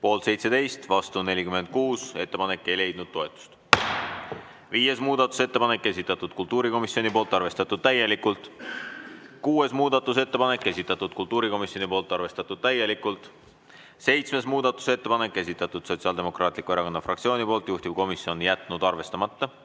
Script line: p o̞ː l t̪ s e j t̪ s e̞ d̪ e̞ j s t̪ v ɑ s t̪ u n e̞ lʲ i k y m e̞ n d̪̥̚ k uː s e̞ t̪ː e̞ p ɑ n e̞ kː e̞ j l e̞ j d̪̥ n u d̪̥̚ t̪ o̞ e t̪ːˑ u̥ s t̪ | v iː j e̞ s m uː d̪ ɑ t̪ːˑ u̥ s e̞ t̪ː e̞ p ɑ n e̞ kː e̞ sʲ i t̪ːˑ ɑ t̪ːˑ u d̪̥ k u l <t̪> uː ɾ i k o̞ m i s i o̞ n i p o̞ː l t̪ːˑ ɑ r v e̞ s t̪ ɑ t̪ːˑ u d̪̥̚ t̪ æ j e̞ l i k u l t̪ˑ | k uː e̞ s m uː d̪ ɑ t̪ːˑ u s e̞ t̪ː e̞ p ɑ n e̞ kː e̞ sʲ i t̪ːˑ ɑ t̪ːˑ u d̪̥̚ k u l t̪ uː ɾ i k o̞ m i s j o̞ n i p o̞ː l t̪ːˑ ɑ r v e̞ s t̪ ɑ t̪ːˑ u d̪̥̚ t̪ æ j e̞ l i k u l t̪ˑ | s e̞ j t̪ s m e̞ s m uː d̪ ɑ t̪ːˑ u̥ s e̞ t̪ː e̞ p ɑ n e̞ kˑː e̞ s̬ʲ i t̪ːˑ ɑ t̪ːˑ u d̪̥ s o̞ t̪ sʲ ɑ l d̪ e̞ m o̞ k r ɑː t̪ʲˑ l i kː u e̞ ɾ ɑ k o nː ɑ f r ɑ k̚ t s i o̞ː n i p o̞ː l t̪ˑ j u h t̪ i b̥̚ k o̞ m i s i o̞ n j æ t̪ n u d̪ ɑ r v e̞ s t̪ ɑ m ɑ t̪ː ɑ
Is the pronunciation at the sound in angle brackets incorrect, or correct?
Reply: correct